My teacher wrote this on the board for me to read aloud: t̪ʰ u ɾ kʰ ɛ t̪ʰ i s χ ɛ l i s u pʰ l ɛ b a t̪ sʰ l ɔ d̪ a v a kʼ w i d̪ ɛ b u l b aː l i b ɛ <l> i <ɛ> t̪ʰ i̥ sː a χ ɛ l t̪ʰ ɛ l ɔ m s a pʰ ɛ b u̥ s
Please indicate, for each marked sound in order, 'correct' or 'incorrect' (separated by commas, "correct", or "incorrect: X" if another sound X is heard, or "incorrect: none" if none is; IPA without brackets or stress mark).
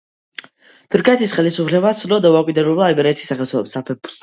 incorrect: ɾ, correct